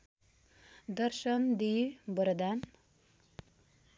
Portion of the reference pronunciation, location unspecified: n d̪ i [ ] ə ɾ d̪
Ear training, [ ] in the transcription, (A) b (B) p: A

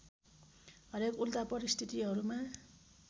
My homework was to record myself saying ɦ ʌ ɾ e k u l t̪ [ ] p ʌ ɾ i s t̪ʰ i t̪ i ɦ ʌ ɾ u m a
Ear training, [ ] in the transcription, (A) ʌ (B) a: B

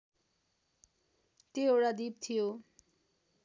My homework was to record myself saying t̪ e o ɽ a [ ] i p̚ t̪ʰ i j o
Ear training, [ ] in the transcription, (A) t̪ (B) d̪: B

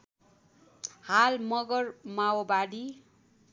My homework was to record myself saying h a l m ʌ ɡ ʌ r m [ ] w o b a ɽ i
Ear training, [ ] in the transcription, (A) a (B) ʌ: A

